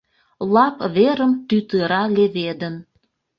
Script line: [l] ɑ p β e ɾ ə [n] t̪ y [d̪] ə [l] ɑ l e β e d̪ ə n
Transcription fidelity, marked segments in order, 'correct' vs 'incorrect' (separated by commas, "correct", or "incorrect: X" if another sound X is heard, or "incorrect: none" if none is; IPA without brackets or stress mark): correct, incorrect: m, incorrect: t̪, incorrect: ɾ